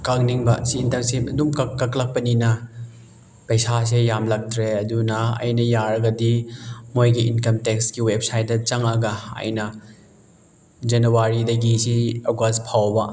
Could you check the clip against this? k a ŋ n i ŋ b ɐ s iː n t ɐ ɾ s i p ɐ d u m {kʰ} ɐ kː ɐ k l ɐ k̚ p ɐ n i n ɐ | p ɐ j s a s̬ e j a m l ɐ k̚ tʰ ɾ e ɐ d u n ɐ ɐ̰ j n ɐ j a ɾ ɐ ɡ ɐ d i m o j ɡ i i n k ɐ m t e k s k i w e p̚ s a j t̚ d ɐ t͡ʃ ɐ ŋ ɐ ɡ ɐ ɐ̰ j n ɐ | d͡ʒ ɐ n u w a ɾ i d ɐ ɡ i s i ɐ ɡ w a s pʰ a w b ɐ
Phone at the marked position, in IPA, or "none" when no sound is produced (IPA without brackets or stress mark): k